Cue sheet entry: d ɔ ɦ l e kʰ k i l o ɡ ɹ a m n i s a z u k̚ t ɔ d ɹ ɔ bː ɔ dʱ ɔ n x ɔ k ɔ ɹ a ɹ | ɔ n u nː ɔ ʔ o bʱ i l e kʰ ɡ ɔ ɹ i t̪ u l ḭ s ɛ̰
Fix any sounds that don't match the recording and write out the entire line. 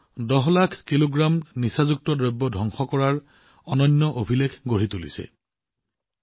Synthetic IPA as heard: d ɔ ɦ l a kʰ k i l o ɡ ɹ a m n i s a z u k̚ t ɔ d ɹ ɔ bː ɔ dʱ ɔ ŋ x ɔ k ɔ ɹ a ɹ | ɔ n ɔ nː ɔ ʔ o bʱ i l e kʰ ɡ o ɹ i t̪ u l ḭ s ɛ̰